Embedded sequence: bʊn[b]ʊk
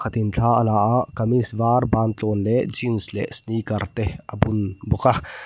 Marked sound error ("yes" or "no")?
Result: no